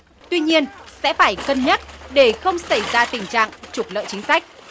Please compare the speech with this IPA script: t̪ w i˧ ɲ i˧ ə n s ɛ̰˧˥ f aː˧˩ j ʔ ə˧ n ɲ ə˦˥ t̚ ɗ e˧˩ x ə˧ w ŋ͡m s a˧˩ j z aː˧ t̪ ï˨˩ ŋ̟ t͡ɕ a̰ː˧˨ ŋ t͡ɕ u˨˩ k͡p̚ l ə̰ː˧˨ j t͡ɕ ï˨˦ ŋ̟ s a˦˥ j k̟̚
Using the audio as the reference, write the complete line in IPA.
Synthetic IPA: t̪ w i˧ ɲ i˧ ə n s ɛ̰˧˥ f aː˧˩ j k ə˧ n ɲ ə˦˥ t̚ ɗ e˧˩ x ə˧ w ŋ͡m s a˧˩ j z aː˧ t̪ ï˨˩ ŋ̟ t͡ɕ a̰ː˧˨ ŋ t͡ɕ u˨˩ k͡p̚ l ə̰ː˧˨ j t͡ɕ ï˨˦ ŋ̟ s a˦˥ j k̟̚